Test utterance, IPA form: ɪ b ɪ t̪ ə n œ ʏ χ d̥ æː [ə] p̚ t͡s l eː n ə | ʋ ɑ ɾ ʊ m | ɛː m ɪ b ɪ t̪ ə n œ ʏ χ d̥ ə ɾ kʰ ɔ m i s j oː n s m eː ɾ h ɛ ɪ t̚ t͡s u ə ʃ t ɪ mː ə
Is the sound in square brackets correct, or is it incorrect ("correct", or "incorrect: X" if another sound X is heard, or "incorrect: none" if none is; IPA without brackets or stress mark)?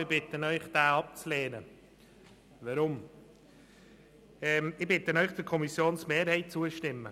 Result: incorrect: ɑ